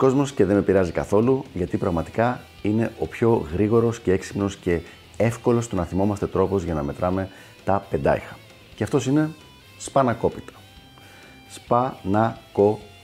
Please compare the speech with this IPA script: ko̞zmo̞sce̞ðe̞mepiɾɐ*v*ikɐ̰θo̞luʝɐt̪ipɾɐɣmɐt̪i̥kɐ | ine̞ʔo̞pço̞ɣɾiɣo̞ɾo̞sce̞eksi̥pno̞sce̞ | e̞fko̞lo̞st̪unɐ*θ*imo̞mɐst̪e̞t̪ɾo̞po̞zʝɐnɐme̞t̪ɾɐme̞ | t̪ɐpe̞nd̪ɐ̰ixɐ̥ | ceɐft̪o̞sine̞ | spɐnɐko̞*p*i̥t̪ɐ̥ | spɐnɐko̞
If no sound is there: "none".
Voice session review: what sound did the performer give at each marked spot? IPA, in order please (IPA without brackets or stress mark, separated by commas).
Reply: z, θ, p